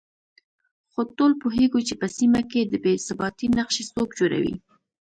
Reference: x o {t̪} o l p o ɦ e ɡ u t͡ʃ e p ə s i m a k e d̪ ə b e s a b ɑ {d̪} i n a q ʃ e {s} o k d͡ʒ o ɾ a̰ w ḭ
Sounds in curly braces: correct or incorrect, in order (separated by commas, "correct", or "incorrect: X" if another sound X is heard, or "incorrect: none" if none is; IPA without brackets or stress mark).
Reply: correct, incorrect: t̪, correct